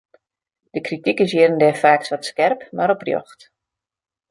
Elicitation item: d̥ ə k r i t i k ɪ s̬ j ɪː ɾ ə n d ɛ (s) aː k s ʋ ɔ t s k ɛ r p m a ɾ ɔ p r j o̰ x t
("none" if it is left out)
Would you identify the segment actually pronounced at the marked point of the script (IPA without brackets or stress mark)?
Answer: f